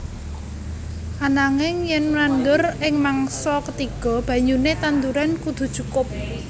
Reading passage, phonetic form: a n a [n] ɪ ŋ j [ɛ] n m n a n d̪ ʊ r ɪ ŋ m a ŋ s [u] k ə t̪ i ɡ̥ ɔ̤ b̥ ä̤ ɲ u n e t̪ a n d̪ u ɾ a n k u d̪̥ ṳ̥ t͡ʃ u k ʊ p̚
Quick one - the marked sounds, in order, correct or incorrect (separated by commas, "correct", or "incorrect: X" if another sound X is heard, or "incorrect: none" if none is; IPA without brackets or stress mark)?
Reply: incorrect: ŋ, correct, incorrect: ɔ